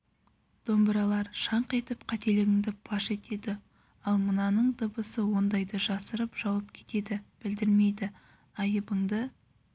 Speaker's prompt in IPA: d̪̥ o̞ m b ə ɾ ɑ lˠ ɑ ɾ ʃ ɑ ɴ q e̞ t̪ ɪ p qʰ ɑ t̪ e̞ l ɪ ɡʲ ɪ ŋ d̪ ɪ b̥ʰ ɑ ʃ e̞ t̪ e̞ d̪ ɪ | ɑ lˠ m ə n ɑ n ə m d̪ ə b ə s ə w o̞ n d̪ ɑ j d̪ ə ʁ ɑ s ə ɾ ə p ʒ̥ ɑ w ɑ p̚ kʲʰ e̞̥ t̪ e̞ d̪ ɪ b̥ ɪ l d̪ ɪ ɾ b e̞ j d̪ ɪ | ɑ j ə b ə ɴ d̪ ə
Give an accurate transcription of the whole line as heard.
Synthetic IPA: d̪̥ o̞ m b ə ɾ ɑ lˠ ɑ ɾ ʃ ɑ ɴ q e̞ t̪ ɪ p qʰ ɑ t̪ e̞ l ɪ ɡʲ ɪ ŋ d̪ ɪ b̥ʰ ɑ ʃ e̞ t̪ e̞ d̪ ɪ | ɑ lˠ m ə n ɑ n ə ɴ d̪ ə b ə s ə w o̞ n d̪ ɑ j d̪ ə ʒ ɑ s ə ɾ ə p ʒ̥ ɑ w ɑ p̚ kʲʰ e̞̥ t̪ e̞ d̪ ɪ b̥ ɪ l d̪ ɪ ɾ m e̞ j d̪ ɪ | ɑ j ə b ə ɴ d̪ ə